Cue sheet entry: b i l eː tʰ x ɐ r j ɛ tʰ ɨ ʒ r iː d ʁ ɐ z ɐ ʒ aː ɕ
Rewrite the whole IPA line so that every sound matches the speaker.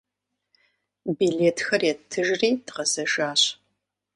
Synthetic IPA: b i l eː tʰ x ɐ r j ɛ tʰ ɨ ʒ r iː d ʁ ɐ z ɐ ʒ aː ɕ